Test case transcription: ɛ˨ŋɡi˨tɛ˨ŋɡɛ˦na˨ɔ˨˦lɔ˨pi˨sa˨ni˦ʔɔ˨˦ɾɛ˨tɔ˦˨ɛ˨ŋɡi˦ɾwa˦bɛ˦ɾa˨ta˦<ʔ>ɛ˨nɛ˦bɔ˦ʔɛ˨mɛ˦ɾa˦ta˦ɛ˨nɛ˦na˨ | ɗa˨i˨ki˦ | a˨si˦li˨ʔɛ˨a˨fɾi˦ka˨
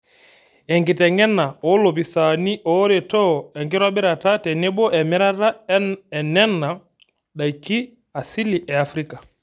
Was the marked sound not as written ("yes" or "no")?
yes